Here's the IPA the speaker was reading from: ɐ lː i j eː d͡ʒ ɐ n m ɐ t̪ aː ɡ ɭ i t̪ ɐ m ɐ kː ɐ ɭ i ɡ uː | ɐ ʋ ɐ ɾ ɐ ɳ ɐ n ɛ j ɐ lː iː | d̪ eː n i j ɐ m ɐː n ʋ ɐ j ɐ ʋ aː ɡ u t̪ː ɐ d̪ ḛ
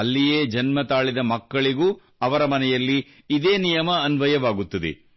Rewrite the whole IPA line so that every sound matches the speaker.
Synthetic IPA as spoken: ɐ lː i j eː d͡ʒ ɐ n m ɐ t̪ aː ɭ i d̪ ɐ m ɐ kː ɐ ɭ i ɡ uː | ɐ ʋ ɐ ɾ ɐ m ɐ n ɛ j ɐ lː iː | d̪ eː n i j ɐ m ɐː n ʋ ɐ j ɐ ʋ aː ɡ u t̪ː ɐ d̪ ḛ